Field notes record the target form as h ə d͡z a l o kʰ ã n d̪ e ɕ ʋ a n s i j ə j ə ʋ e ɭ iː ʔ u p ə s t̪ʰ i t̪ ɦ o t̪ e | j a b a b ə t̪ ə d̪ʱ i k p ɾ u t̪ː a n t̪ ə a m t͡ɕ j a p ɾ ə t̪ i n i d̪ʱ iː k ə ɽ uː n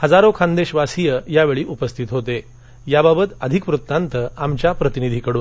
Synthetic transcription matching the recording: h ə d͡z a ɾ o kʰ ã n d̪ e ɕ ʋ a s i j ə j a ʋ e ɭ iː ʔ u p ə s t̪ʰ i t̪ ɦ o t̪ e | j a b a b ə t̪ ə d̪ʱ i k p ɾ u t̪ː a n t̪ ə a m t͡ɕ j a p ɾ ə t̪ i n i d̪ʱ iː k ə ɽ uː n